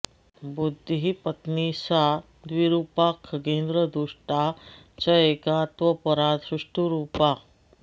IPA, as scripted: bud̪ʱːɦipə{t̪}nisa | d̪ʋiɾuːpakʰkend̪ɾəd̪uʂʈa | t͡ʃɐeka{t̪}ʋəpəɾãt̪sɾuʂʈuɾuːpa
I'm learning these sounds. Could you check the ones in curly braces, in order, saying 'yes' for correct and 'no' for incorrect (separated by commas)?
yes, yes